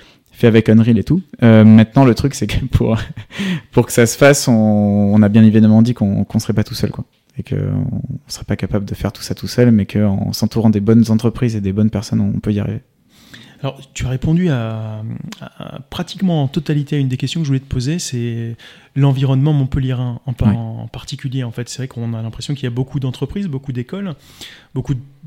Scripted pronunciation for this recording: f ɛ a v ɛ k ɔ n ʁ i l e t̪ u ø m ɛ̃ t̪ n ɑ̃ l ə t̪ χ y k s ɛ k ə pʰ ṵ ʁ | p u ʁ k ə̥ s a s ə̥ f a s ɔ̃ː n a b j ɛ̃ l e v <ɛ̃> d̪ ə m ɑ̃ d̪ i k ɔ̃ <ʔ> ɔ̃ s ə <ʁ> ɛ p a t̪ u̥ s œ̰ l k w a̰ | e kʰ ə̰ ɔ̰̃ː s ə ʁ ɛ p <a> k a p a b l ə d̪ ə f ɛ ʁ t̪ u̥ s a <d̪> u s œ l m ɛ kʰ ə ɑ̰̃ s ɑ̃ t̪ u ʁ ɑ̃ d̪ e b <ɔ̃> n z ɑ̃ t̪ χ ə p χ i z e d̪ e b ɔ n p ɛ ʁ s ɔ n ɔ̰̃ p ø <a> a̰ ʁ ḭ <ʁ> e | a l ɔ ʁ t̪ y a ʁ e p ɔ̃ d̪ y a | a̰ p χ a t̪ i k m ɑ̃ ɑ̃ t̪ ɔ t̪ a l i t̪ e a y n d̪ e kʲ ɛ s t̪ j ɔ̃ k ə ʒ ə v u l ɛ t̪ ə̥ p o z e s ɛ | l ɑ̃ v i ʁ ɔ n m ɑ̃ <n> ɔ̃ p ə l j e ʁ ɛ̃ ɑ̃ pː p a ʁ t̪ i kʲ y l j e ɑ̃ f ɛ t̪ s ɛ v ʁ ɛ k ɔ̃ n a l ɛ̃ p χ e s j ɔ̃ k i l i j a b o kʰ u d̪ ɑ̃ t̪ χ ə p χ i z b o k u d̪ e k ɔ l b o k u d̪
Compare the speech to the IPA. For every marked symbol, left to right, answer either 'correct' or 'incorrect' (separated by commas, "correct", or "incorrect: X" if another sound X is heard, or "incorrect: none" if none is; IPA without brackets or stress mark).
incorrect: ɛ, incorrect: k, correct, correct, incorrect: t̪, incorrect: ɔ, incorrect: i, incorrect: v, incorrect: m